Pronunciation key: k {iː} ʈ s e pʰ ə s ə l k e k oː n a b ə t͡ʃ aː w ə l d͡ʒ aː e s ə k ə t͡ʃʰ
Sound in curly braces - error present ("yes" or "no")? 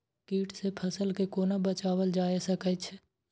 no